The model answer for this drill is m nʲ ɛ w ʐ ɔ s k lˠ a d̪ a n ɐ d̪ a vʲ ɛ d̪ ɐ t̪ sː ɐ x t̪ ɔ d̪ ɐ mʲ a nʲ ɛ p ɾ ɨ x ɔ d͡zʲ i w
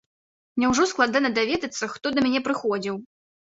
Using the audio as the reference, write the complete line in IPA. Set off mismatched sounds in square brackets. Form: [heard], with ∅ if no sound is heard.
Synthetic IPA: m nʲ ɛ w ʐ ɔ s k lˠ a d̪ a n ɐ d̪ a vʲ ɛ d̪ ɐ t̪ sː ɐ x t̪ ɔ d̪ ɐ mʲ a nʲ ɛ p ɾ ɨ x ɔ d͡zʲ i w